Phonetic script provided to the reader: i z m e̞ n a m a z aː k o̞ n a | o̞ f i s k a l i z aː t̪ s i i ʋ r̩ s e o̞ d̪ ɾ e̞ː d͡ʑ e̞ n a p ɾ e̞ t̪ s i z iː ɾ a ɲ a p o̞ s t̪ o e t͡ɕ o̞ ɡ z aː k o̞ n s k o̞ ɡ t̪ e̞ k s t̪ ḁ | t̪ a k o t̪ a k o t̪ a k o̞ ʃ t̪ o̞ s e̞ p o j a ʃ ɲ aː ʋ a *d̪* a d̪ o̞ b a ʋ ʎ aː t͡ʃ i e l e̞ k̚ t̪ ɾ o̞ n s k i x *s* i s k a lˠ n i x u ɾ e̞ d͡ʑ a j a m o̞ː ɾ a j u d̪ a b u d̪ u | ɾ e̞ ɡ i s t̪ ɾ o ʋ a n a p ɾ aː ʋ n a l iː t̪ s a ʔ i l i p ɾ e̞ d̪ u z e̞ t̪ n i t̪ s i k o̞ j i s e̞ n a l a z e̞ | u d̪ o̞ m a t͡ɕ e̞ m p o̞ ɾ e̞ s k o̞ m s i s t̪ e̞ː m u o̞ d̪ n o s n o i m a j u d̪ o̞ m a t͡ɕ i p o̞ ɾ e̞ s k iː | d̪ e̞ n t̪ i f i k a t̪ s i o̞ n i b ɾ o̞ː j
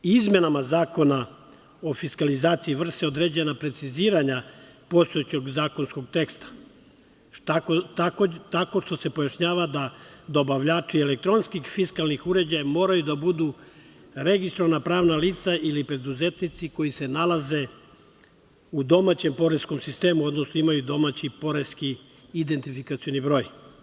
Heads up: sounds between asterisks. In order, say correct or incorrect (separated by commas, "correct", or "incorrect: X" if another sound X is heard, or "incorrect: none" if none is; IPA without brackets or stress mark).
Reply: correct, incorrect: f